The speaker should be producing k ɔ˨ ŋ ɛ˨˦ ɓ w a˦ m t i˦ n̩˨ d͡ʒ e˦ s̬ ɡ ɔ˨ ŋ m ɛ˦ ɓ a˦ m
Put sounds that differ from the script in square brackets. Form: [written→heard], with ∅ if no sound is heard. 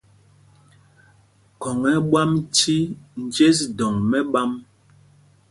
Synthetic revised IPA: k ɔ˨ ŋ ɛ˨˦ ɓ w a˦ m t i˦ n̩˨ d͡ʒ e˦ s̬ [ɡ→d] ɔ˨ ŋ m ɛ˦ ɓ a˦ m